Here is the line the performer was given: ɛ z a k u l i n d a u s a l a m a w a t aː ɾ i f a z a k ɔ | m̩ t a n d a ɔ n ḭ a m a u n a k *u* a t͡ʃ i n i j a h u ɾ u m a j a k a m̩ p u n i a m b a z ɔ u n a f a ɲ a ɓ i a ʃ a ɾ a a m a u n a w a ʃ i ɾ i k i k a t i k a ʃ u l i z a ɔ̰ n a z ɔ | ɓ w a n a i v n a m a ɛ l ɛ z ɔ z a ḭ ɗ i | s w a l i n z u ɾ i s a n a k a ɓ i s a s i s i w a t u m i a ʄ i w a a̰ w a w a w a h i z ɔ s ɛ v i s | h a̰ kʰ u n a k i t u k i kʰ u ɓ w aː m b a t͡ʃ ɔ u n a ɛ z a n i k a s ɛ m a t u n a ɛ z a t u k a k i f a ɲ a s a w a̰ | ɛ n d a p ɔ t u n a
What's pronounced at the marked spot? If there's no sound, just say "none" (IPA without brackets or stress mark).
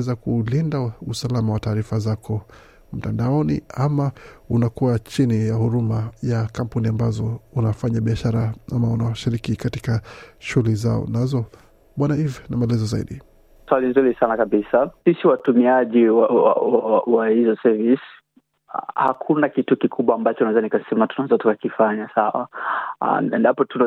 u